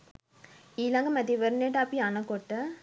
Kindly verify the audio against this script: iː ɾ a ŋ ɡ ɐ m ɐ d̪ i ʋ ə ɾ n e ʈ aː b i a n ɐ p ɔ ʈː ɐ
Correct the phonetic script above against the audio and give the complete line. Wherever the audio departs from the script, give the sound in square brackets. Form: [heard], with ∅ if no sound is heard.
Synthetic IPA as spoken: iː [l] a ŋ ɡ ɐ m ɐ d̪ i ʋ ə ɾ n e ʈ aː [p] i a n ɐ [k] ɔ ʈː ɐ